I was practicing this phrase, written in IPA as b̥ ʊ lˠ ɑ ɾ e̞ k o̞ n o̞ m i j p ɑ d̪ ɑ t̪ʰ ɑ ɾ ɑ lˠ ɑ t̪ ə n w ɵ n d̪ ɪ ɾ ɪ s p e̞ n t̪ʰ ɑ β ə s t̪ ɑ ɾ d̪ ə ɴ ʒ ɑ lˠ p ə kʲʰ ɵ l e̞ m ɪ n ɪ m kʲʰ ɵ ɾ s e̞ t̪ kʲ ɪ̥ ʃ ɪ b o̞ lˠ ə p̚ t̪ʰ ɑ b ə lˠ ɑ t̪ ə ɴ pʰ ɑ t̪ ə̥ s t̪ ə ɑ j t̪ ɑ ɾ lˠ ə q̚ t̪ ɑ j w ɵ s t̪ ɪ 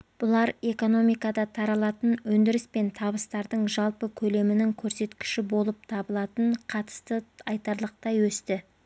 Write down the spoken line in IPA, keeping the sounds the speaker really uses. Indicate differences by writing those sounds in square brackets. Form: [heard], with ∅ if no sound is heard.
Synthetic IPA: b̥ ʊ lˠ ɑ ɾ e̞ k o̞ n o̞ m i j [k] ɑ d̪ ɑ t̪ʰ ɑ ɾ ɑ lˠ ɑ t̪ ə n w ɵ n d̪ ɪ ɾ ɪ s p e̞ n t̪ʰ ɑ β ə s t̪ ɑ ɾ d̪ ə ɴ ʒ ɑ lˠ p ə kʲʰ ɵ l e̞ m ɪ n ɪ [ŋ] kʲʰ ɵ ɾ s e̞ t̪ kʲ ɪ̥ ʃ ɪ b o̞ lˠ ə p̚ t̪ʰ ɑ b ə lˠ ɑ t̪ ə ɴ [qʰ] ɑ t̪ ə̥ s t̪ ə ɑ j t̪ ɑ ɾ lˠ ə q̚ t̪ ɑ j w ɵ s t̪ ɪ